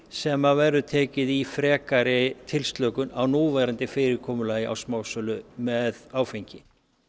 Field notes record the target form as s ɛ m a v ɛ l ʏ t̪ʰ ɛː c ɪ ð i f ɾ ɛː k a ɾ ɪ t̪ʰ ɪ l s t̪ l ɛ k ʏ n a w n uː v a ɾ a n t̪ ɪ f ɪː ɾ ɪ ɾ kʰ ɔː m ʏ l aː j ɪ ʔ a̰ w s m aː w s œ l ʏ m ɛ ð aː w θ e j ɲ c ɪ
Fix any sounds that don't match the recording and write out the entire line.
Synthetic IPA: s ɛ m a v ɛ ɾ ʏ t̪ʰ ɛː c ɪ ð i f ɾ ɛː k a ɾ ɪ t̪ʰ ɪ l s t̪ l œ k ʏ n a w n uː v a ɾ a n t̪ ɪ f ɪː ɾ ɪ ɾ kʰ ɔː m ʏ l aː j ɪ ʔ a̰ w s m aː w s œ l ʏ m ɛ ð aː w f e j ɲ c ɪ